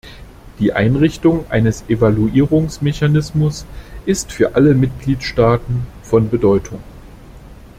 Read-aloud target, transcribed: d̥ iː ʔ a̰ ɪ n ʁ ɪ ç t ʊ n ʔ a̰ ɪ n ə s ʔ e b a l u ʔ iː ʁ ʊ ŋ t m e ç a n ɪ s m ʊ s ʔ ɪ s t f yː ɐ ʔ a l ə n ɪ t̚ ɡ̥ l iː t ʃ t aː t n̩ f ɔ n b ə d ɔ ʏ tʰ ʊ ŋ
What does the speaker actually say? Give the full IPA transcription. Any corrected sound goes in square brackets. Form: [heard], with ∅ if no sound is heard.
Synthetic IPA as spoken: d̥ iː ʔ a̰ ɪ n ʁ ɪ ç t ʊ [ŋ] ʔ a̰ ɪ n ə s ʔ e [v] a l u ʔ iː ʁ ʊ ŋ [s] m e ç a n ɪ s m ʊ s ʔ ɪ s t f yː ɐ ʔ a l ə [m] ɪ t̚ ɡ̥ l iː t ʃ t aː t n̩ f ɔ n b ə d ɔ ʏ tʰ ʊ ŋ